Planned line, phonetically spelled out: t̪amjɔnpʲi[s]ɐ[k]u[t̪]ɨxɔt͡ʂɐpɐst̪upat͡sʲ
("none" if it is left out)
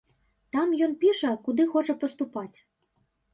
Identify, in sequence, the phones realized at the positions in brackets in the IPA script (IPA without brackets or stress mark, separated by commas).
ʂ, k, d̪